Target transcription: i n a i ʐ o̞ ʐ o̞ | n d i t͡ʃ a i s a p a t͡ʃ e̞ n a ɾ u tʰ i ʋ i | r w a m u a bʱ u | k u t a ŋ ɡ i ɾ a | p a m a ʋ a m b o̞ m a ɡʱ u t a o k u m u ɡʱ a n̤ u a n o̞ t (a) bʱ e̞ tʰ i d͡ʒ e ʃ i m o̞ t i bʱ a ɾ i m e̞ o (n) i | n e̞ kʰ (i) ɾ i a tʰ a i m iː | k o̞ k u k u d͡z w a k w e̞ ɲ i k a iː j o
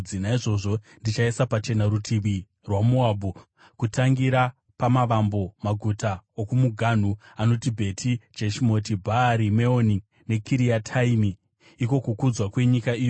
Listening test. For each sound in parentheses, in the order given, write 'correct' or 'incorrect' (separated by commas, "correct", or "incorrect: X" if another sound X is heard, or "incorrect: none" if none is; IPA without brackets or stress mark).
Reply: incorrect: i, correct, correct